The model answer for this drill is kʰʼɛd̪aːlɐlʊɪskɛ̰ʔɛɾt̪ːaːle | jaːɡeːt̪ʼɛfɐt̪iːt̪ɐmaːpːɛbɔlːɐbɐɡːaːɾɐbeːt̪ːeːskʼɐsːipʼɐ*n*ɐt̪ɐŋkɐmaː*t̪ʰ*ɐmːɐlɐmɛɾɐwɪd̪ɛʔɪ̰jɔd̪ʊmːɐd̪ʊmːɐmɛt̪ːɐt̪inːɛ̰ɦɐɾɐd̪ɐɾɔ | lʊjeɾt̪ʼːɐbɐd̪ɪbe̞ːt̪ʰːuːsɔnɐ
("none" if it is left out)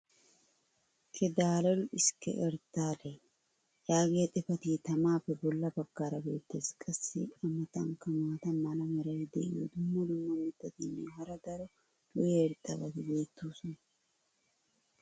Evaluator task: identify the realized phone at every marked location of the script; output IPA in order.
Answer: m, t̪

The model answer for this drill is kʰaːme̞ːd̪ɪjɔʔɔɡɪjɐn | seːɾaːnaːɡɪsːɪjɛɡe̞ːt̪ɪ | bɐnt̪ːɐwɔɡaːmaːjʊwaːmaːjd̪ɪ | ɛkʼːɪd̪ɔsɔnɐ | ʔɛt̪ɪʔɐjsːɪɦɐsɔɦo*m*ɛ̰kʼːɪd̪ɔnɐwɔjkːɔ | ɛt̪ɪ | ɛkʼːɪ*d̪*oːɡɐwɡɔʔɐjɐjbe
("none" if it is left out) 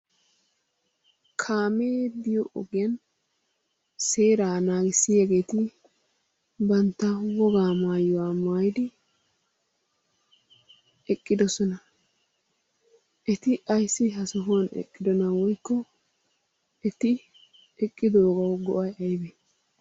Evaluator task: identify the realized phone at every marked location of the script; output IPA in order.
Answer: n, d̪

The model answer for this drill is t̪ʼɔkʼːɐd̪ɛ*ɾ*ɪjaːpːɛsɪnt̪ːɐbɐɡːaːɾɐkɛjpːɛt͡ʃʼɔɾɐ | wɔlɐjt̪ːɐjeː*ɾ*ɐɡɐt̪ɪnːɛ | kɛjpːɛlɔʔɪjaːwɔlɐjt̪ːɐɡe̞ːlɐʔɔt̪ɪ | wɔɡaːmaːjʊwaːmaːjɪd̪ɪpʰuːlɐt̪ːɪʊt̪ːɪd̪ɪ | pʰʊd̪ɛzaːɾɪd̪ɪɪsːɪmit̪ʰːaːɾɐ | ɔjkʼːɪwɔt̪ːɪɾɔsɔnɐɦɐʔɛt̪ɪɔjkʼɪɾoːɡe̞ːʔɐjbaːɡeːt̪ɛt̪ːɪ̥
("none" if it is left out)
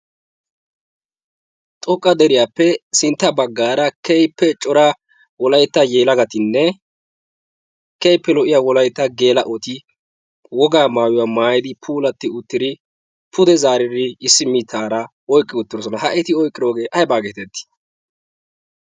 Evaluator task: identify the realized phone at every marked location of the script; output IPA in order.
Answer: ɾ, l

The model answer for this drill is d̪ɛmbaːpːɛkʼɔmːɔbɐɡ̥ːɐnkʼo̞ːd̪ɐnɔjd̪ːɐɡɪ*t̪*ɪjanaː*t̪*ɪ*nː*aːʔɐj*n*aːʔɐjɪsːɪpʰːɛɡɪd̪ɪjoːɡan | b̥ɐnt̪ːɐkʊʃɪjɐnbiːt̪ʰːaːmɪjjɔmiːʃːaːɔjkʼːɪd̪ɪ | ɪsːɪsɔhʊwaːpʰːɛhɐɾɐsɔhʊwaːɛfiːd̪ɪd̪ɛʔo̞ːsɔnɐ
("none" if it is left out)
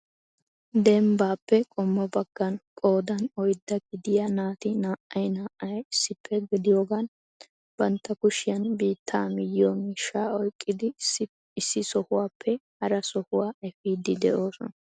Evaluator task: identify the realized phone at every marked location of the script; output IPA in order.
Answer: d̪, t̪, n, n

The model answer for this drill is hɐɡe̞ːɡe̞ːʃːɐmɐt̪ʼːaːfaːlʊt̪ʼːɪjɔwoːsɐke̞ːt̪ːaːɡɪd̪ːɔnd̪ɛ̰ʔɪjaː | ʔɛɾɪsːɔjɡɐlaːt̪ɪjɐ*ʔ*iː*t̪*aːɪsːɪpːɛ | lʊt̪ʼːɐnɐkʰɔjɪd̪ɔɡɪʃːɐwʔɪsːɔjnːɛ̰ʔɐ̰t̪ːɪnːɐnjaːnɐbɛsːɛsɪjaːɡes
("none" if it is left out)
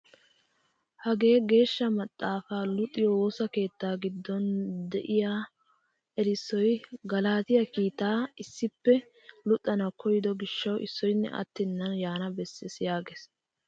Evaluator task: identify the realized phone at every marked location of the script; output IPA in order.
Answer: k, t̪

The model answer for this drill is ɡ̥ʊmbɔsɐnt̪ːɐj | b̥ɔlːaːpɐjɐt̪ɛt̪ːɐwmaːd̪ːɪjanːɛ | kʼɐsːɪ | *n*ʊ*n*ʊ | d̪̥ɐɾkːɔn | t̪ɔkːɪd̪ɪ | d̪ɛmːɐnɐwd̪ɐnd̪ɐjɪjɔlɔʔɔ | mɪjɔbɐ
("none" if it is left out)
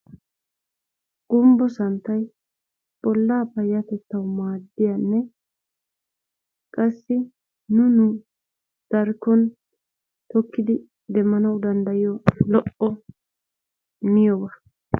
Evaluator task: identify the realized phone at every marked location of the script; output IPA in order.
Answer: n, n

